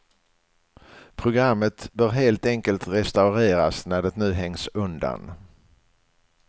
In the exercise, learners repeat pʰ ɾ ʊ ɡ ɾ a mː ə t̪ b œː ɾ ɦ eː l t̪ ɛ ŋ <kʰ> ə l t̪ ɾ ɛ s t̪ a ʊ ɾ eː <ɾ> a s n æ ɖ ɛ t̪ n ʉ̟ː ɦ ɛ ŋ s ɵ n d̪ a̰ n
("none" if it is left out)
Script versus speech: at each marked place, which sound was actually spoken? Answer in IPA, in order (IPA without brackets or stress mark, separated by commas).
k, ɾ